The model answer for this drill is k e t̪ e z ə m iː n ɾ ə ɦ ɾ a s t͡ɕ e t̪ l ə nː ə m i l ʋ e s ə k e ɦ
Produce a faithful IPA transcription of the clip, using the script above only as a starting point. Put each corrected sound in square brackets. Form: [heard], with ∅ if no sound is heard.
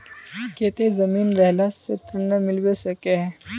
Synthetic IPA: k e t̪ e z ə m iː n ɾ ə ɦ [l] a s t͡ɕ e t̪ [ɾ] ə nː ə m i l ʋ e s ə k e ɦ